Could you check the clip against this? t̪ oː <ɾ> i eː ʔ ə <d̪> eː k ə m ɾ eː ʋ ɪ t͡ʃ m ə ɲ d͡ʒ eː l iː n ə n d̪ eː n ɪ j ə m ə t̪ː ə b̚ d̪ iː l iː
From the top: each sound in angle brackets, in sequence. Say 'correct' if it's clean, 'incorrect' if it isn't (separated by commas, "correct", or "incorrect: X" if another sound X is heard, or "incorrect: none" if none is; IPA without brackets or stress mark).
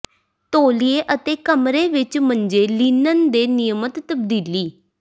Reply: incorrect: l, incorrect: t̪